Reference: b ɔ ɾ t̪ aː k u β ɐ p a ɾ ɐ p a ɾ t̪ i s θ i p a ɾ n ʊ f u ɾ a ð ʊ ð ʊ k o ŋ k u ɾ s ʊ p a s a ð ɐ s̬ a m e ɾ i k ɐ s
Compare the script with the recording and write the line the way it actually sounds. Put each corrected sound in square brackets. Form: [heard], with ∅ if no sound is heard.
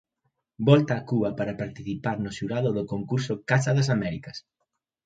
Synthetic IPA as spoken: b ɔ [l] t̪ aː k u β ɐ p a ɾ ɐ p a ɾ t̪ i [∅] θ i p a ɾ n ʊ [ʃ] u ɾ a ð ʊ ð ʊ k o ŋ k u ɾ s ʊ [k] a s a ð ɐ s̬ a m [ɛ] ɾ i k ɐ s